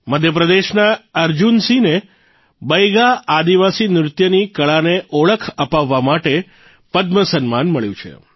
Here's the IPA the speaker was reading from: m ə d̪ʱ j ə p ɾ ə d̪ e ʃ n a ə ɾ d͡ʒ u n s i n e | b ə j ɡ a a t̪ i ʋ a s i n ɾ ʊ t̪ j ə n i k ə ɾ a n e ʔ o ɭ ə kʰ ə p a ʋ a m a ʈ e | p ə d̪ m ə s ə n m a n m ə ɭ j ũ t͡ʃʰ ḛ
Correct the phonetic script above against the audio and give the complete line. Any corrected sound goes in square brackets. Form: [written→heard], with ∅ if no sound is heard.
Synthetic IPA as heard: m ə d̪ʱ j ə p ɾ ə d̪ e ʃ n a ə ɾ d͡ʒ u n s i n e | b ə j ɡ a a [t̪→d̪] i ʋ a s i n ɾ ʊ t̪ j ə n i k ə [ɾ→ɭ] a n e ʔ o ɭ ə kʰ ə p a [ʋ→ʋː] a m a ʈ e | p ə d̪ m ə s ə n m a n m ə ɭ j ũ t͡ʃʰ ḛ